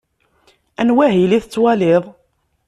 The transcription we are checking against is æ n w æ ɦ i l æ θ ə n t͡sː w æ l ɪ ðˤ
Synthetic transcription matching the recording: æ n w æ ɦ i l i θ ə t͡sː w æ l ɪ ðˤ